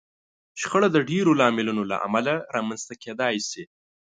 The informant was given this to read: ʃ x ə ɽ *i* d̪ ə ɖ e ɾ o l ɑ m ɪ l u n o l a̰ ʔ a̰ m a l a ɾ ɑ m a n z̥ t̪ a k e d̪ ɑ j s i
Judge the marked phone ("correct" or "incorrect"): incorrect